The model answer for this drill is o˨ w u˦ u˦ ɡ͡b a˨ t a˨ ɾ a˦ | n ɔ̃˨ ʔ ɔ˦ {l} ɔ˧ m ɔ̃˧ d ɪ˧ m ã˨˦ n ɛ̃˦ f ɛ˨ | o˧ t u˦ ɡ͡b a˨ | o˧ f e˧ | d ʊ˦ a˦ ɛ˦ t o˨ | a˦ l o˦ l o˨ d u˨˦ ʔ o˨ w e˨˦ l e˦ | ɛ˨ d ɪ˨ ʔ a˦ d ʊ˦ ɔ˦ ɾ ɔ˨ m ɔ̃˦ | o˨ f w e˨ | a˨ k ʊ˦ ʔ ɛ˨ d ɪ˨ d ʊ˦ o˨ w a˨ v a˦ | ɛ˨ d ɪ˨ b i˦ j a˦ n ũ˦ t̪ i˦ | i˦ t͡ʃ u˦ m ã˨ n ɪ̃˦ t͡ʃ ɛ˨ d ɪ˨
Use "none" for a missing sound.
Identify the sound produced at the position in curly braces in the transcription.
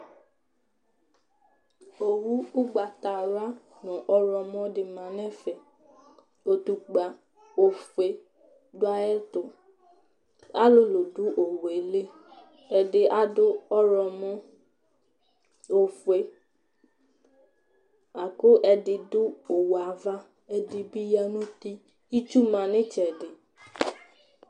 ɾ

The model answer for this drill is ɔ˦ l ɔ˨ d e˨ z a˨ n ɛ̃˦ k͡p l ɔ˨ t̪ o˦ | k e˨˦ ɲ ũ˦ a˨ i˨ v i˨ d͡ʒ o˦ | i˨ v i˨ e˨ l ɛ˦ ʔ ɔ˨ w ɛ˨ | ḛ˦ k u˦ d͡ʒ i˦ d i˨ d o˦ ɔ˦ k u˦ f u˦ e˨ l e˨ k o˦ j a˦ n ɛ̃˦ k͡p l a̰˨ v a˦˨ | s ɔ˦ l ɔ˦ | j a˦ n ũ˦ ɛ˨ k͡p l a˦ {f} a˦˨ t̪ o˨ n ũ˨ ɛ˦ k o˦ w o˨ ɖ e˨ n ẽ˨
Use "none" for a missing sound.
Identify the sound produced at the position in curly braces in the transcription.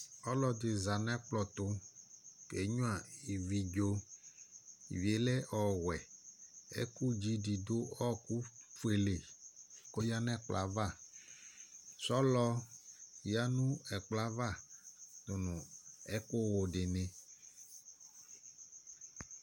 v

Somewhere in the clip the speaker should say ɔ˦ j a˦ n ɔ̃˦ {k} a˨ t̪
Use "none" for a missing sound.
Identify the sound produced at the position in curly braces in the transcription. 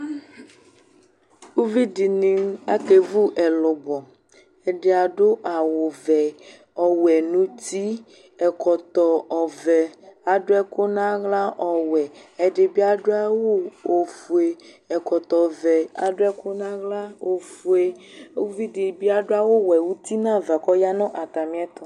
ʔ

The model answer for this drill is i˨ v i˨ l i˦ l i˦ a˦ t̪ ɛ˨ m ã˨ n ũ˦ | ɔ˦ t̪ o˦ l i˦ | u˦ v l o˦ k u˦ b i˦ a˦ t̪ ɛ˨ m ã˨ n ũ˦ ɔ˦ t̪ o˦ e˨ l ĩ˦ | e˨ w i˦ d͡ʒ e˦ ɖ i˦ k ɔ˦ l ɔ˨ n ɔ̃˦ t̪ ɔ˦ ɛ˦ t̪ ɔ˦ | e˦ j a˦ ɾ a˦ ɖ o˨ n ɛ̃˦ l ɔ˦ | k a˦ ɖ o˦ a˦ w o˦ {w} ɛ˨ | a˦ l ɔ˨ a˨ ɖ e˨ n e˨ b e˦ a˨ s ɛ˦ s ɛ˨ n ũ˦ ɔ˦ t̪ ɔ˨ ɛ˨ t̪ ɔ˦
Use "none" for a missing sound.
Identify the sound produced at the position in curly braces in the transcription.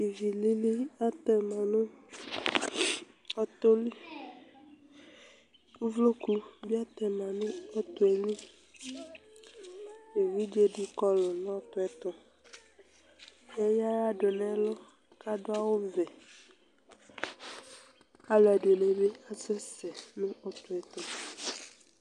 v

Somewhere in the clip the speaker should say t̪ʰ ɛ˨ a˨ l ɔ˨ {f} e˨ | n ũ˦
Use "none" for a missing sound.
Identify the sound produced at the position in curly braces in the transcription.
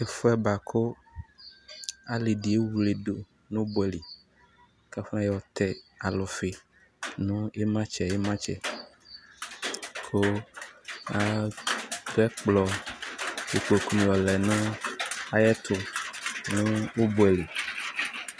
f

